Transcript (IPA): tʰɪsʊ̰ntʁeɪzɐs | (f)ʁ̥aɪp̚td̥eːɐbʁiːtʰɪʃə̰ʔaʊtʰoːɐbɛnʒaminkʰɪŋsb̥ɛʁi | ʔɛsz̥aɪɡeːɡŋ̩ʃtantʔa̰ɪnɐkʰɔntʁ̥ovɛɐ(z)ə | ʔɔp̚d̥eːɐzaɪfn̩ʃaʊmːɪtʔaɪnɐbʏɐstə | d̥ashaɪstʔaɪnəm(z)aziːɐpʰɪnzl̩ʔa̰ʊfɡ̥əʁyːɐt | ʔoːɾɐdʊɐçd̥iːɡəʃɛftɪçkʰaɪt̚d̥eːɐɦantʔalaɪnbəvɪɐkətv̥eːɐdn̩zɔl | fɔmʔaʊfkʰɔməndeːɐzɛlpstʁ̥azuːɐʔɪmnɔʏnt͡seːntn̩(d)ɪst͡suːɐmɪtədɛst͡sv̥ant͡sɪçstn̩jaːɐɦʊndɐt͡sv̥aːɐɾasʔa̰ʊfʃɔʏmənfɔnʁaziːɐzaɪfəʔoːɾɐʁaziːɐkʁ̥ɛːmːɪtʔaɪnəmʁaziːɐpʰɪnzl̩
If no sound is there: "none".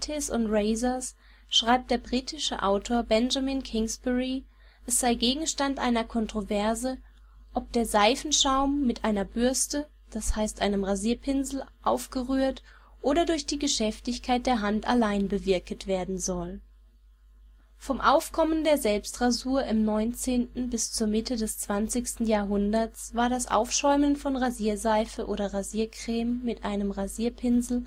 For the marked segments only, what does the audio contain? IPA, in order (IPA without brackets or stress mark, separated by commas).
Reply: ʃ, z, ʁ, b